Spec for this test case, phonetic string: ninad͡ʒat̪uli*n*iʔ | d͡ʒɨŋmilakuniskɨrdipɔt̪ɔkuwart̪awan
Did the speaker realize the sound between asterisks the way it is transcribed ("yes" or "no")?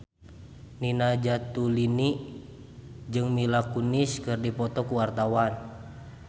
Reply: yes